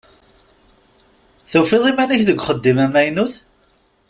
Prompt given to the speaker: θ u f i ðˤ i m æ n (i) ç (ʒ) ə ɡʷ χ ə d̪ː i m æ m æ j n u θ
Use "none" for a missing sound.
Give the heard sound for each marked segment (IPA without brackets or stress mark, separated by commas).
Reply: æ, ð